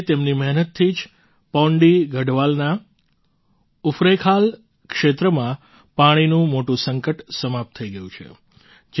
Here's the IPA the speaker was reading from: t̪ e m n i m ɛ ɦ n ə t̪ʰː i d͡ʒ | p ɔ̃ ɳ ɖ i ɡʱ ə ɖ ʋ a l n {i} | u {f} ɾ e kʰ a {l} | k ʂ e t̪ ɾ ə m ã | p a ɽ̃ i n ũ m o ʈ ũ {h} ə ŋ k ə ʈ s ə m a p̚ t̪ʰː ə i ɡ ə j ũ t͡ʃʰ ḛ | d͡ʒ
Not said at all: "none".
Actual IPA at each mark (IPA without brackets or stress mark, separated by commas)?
a, f, l, s